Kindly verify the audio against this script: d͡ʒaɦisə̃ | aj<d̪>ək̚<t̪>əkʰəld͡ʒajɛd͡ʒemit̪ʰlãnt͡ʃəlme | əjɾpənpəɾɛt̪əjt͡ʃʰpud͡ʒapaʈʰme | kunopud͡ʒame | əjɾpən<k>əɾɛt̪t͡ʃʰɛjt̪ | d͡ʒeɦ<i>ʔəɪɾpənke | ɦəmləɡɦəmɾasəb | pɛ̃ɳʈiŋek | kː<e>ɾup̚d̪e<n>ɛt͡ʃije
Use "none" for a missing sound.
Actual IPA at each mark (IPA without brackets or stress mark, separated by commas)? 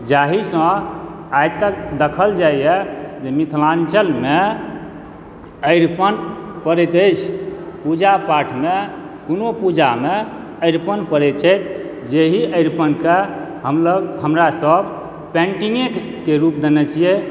t̪, d̪, p, i, e, n